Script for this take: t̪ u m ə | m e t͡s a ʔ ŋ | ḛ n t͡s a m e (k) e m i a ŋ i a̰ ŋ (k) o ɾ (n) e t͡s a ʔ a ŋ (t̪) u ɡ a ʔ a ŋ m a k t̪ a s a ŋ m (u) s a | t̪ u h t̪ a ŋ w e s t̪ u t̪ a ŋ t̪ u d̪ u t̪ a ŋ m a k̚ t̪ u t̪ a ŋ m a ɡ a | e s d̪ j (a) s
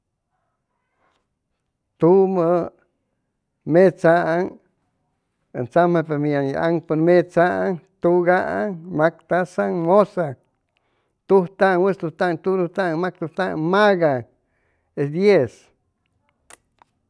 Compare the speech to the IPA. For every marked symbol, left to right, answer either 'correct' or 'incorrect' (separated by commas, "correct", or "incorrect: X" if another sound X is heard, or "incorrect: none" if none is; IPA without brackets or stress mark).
incorrect: p, incorrect: p, incorrect: m, correct, incorrect: o, incorrect: e